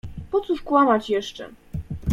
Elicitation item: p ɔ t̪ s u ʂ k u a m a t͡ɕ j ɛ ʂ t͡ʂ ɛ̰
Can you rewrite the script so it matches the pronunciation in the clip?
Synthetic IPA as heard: p ɔ t̪ s u ʂ k w a m a t͡ɕ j ɛ ʂ t͡ʂ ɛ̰